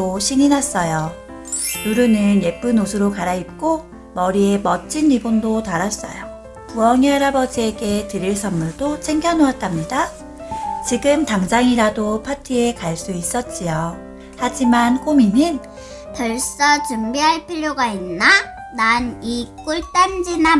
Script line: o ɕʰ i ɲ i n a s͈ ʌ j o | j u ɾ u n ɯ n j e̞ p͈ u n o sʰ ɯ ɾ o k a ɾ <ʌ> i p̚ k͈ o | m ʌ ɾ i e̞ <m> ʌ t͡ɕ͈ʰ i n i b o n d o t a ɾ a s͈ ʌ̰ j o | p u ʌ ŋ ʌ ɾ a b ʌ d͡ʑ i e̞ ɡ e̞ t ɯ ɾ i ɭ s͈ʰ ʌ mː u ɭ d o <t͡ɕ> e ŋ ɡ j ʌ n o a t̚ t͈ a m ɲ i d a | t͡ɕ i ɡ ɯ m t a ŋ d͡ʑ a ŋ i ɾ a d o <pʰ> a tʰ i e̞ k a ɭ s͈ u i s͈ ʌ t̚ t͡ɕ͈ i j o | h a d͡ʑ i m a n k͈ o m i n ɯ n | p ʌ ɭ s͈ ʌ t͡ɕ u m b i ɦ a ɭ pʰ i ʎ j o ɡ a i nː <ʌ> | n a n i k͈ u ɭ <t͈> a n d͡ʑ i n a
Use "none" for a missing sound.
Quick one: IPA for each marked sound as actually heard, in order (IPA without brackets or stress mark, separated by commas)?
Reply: a, m, t͡ɕʰ, pʰ, a, t͈